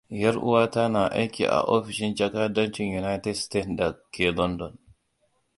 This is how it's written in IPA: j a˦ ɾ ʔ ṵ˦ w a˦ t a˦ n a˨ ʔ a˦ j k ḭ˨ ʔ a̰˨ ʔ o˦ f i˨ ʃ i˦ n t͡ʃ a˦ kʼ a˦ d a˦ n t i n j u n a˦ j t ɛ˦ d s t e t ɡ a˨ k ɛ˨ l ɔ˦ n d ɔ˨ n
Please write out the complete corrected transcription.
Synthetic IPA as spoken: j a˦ ɾ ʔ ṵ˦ w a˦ t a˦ n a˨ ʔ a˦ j k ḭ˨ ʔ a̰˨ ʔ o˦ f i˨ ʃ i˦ n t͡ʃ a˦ k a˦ d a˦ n t͡ʃ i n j u n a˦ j t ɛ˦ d s t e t d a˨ k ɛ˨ l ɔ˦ n d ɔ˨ n